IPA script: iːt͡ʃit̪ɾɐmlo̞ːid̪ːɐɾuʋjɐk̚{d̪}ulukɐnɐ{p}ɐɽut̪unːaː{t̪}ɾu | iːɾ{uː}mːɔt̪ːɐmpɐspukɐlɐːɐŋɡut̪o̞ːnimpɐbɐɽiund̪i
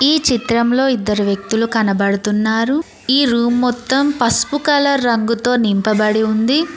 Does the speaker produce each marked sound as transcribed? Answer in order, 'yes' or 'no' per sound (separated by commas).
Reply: no, no, no, yes